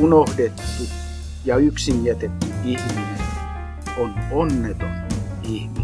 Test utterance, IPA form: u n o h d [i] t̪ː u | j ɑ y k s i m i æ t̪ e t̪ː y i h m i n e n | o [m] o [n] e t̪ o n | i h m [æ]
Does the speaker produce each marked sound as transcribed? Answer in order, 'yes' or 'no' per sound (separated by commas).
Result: no, no, no, no